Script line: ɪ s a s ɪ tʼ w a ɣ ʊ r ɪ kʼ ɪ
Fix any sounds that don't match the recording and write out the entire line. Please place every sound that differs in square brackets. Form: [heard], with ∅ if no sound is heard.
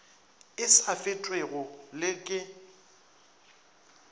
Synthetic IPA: ɪ s a [f] ɪ tʼ w [e] ɣ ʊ [l] ɪ kʼ ɪ